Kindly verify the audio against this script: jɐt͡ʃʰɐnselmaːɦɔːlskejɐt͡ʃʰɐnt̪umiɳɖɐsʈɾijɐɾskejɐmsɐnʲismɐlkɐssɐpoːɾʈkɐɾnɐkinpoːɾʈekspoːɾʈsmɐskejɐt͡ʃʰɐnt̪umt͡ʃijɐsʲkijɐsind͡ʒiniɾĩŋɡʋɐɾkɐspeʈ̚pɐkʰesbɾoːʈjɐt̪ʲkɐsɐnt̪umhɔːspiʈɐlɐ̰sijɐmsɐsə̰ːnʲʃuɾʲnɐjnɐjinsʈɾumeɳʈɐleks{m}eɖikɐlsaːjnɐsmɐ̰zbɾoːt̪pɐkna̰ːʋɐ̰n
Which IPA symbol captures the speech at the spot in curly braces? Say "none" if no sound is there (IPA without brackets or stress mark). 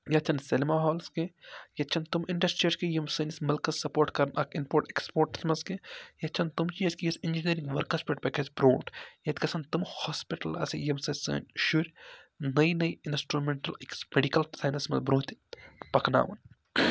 m